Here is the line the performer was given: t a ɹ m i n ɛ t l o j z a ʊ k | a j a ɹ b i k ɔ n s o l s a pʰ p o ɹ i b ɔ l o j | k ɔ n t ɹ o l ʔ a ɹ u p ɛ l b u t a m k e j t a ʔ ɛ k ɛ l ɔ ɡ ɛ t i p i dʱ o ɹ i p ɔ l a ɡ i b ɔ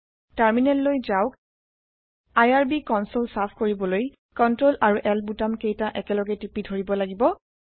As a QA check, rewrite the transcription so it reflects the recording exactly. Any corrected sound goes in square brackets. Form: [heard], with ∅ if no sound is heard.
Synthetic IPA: t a ɹ m i n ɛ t l o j z a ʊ k | a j a ɹ b i k ɔ n s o l s a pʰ [k] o ɹ i b ɔ l o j | k ɔ n t ɹ o l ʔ a ɹ u [ʔ] ɛ l b u t a m k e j t a ʔ ɛ k ɛ l ɔ ɡ ɛ t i p i dʱ o ɹ i [b] ɔ l a ɡ i b ɔ